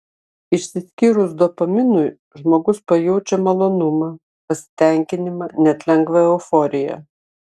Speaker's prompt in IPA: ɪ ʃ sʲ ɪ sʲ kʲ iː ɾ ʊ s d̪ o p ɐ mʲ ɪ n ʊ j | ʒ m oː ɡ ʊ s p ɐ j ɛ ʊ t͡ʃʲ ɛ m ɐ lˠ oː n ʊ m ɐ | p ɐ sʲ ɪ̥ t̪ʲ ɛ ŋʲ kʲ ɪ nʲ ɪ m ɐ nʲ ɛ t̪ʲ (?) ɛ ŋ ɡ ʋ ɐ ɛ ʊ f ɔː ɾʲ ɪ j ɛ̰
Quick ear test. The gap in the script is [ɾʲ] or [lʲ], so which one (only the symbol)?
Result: lʲ